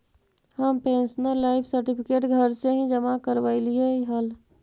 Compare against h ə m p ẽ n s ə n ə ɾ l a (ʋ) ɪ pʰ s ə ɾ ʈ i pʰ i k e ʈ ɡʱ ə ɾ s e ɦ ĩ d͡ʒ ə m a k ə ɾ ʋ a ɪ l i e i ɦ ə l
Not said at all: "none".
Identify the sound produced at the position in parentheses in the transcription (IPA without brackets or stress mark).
none